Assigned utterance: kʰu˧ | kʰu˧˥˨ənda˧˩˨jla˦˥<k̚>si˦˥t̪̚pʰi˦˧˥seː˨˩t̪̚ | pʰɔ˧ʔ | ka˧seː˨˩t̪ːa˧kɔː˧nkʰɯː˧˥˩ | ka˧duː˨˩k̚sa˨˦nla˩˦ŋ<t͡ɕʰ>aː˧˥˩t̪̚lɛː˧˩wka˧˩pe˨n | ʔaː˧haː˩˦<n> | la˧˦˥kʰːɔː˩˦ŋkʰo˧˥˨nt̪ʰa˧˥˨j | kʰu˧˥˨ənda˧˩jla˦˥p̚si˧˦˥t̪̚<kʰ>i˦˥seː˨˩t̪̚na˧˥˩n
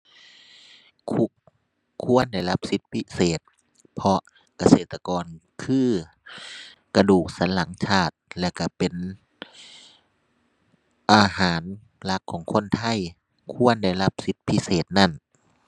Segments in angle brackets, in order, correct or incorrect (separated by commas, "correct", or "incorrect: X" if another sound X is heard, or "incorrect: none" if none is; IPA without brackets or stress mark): incorrect: p̚, correct, correct, incorrect: pʰ